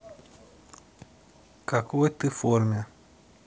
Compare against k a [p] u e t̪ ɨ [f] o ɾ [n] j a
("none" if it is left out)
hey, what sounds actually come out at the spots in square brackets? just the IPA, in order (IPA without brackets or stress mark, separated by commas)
k, f, m